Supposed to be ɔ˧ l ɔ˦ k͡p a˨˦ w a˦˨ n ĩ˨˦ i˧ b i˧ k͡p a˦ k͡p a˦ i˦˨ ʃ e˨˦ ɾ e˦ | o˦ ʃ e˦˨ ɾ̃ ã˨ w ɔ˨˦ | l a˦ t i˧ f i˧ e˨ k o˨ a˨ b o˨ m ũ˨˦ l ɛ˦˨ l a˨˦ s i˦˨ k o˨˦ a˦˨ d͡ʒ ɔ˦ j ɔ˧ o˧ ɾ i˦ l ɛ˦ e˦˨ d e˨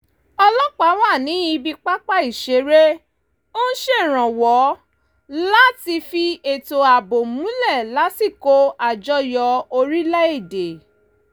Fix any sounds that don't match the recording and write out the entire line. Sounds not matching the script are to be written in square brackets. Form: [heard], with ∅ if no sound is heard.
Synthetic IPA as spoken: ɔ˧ l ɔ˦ k͡p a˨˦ w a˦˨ n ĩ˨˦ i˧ b i˧ k͡p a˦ k͡p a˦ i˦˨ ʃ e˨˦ ɾ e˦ | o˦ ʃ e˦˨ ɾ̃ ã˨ w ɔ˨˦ | l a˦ t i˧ f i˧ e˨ [t] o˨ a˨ b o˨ m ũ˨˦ l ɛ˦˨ l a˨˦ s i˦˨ k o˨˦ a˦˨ d͡ʒ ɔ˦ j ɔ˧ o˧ ɾ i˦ l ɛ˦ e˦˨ d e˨